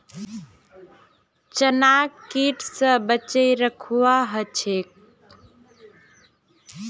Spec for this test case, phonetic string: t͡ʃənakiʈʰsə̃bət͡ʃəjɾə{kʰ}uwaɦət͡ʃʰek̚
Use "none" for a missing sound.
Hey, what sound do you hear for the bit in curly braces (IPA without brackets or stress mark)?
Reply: kʰ